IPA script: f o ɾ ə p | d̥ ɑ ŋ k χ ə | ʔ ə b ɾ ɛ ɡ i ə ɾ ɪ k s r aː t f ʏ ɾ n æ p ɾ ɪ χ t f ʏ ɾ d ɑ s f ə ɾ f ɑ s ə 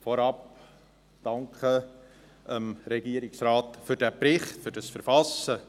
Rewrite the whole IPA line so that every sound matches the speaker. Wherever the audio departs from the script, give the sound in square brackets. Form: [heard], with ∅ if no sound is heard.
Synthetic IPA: f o ɾ [ɑ] p | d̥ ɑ ŋ k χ ə | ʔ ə [m] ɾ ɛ ɡ i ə ɾ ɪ k s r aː t f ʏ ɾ [d] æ p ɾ ɪ χ t f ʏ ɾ d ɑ s f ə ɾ f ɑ s ə